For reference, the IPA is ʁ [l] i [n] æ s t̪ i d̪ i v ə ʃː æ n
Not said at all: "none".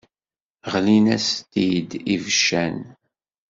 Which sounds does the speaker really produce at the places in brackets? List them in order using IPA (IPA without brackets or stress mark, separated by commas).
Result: l, n